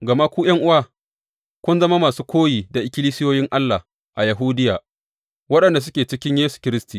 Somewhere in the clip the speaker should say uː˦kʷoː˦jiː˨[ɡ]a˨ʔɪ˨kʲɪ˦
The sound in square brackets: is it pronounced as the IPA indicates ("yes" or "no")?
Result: no